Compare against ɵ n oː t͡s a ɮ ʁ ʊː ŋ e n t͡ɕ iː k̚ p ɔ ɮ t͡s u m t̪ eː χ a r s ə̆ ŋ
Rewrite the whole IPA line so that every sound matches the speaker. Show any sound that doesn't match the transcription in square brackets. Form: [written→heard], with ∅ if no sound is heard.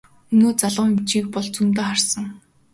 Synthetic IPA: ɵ n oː t͡s a ɮ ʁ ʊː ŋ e [n→m] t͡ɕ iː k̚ p ɔ ɮ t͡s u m t̪ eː χ a r s ə̆ ŋ

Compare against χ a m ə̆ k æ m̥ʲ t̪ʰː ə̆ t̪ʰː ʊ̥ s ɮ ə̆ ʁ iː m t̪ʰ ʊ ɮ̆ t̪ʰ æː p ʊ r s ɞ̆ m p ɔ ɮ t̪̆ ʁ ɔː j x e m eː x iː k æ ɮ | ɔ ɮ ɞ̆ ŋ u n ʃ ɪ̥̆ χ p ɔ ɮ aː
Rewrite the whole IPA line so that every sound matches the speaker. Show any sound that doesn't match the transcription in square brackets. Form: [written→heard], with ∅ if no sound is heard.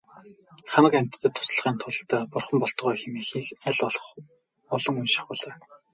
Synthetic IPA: χ a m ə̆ k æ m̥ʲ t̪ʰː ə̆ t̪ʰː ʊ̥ s ɮ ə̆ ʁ iː [m→n] t̪ʰ ʊ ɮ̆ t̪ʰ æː p ʊ r [s→χ] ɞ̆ m p ɔ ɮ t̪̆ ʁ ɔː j x e m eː x iː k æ ɮ | ɔ ɮ ɞ̆ ŋ u n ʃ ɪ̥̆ χ p ɔ ɮ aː

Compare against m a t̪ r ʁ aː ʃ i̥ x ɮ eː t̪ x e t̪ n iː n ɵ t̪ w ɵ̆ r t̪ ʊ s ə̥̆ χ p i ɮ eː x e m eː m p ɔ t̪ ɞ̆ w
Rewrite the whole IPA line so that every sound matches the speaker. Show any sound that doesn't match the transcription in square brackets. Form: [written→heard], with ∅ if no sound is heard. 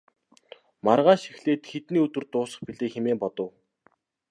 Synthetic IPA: m a [t̪→∅] r ʁ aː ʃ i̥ x ɮ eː t̪ x e t̪ n iː [n→∅] ɵ t̪ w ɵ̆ r t̪ [ʊ→ʊː] s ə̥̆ χ p i ɮ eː x e m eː m p ɔ t̪ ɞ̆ w

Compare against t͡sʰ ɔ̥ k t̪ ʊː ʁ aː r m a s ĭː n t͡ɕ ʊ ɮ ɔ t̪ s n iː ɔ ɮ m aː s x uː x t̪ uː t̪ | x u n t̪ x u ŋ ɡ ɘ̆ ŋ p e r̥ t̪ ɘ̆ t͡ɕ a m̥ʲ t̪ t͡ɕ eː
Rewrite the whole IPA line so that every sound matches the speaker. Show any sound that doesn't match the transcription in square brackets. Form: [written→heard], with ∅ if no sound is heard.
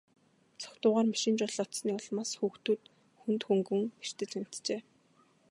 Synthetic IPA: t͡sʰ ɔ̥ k t̪ ʊː ʁ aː r m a [s→ʃ] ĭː n t͡ɕ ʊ ɮ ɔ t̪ s n iː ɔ ɮ m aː s x uː x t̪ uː t̪ | x u n t̪ x u ŋ ɡ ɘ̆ ŋ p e r̥ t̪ ɘ̆ t͡ɕ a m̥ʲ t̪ t͡ɕ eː

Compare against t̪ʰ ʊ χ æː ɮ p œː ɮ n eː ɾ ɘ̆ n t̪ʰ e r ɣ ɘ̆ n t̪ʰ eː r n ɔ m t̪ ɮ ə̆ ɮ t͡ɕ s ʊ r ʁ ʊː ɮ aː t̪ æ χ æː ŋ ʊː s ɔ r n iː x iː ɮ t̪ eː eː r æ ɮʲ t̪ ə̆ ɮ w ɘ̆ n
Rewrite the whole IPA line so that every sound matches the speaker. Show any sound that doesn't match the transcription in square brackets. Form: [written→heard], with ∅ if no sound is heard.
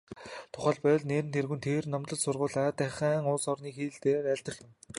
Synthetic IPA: t̪ʰ ʊ χ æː ɮ p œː ɮ n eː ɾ ɘ̆ n t̪ʰ e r ɣ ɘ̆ n t̪ʰ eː r n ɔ m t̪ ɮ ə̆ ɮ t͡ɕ s ʊ r ʁ ʊː ɮ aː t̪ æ χ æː ŋ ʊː s ɔ r n iː x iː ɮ t̪ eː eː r æ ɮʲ t̪ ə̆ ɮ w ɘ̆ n

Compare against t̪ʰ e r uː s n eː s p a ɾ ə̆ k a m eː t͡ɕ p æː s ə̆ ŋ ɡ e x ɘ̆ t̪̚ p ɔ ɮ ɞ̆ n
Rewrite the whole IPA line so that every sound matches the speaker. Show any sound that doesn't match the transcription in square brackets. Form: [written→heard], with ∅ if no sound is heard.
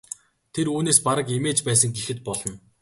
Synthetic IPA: t̪ʰ e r uː [s→∅] n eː s p a ɾ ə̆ k [a→e] m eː t͡ɕ p æː s ə̆ ŋ ɡ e x ɘ̆ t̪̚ p ɔ ɮ ɞ̆ n

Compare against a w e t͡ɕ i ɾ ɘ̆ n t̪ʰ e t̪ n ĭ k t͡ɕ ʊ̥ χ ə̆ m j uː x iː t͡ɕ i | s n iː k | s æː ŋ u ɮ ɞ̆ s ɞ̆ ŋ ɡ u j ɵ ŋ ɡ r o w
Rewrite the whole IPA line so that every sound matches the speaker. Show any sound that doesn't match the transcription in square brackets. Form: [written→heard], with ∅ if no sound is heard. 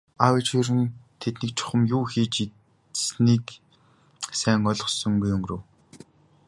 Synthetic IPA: a w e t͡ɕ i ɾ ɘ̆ n t̪ʰ e t̪ n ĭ k [t͡ɕ→t͡ɕʰ] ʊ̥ χ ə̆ m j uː x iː t͡ɕ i | s n iː k | s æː ŋ [u→ɔ] ɮ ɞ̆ s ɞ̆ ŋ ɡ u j ɵ ŋ ɡ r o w

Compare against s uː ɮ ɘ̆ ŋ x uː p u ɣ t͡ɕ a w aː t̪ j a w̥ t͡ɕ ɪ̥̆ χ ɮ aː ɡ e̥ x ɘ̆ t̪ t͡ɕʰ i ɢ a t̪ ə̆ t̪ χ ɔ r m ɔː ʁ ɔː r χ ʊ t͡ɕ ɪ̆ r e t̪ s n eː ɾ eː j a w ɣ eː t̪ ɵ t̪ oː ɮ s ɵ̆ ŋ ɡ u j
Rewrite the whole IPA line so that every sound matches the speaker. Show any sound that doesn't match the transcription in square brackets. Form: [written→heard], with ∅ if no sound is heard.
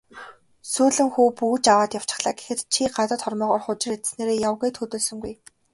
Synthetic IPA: s uː ɮ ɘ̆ ŋ x uː p u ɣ t͡ɕ a w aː t̪ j a w̥ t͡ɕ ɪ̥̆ χ ɮ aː ɡ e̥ x ɘ̆ t̪ t͡ɕʰ i ɢ a t̪ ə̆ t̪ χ ɔ r m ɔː ʁ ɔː r χ ʊ t͡ɕ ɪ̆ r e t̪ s n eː ɾ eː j a w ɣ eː [t̪→t̪ʰ] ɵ t̪ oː ɮ s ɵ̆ ŋ ɡ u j

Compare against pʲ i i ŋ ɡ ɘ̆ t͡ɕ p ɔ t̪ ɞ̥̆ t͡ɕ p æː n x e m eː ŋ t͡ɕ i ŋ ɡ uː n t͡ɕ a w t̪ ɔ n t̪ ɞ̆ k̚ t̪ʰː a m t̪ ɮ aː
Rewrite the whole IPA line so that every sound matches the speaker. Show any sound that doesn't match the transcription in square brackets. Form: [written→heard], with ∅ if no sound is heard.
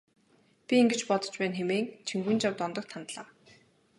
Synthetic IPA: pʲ i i ŋ ɡ ɘ̆ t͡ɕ p ɔ t̪ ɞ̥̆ t͡ɕ p æː n x e m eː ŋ [t͡ɕ→t͡ɕʰ] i ŋ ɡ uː n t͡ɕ a w t̪ ɔ n t̪ ɞ̆ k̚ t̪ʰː a [m→n] t̪ ɮ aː

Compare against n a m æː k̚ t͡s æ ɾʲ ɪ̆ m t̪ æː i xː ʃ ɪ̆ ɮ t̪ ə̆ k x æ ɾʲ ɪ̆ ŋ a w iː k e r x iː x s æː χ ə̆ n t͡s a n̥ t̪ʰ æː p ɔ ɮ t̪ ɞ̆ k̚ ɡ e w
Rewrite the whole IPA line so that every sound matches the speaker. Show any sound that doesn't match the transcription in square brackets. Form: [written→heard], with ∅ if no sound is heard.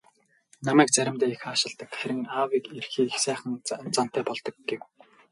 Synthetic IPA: n a m æː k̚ t͡s æ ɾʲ ɪ̆ m t̪ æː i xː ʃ ɪ̆ ɮ t̪ ə̆ k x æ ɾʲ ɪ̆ ŋ a w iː k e r x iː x s æː χ ə̆ n t͡s a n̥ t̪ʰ æː p ɔ ɮ t̪ ɞ̆ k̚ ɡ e w

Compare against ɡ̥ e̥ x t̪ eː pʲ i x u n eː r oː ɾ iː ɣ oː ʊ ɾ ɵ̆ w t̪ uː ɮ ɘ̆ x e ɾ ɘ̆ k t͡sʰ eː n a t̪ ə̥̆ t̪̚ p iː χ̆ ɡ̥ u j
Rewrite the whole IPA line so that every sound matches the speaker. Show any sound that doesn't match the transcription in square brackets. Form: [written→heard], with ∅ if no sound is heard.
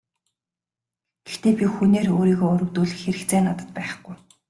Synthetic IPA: ɡ̥ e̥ x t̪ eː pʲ i x u n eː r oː ɾ iː ɣ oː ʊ ɾ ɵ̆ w t̪ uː ɮ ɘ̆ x e ɾ ɘ̆ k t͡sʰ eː n a t̪ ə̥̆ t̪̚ p [iː→æː] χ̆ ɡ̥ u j

